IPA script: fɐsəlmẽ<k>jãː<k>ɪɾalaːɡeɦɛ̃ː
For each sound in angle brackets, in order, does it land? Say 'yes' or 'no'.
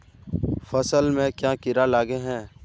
yes, yes

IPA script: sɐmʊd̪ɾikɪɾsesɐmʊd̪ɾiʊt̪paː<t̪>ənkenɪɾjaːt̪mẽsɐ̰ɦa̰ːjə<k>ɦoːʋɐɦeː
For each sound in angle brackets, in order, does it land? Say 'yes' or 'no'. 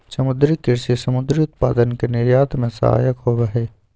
no, yes

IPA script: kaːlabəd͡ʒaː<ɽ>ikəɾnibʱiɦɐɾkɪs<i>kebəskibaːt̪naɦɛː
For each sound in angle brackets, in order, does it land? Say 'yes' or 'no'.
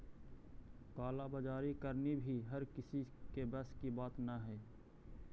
no, yes

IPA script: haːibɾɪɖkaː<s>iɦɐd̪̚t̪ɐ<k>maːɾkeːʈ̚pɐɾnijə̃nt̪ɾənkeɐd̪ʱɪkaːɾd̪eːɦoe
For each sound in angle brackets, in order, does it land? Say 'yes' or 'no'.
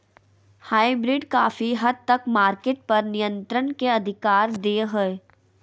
no, yes

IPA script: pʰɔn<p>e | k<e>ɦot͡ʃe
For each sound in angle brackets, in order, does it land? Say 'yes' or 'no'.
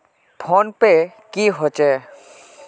yes, no

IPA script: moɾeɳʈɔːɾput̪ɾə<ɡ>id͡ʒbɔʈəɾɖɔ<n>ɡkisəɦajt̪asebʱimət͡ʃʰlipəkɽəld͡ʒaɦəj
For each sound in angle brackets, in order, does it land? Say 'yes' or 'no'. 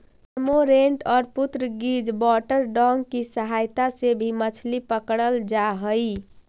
yes, no

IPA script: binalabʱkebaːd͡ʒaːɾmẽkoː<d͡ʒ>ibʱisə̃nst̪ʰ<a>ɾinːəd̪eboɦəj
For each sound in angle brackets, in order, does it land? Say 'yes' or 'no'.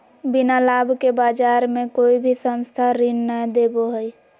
no, yes

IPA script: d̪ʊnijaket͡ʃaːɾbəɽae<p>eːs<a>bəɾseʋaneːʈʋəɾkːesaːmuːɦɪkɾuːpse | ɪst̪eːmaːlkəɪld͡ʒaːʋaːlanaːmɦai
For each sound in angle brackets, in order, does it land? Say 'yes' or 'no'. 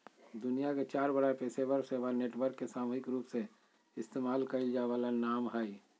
yes, no

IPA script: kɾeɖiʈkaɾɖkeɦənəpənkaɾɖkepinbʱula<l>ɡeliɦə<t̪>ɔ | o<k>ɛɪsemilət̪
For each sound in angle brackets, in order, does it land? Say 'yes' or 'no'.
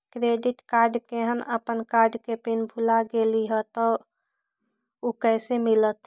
no, yes, yes

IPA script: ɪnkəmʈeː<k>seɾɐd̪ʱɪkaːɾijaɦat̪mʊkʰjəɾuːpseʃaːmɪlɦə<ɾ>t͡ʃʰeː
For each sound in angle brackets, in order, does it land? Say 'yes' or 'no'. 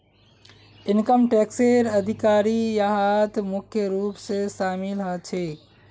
yes, no

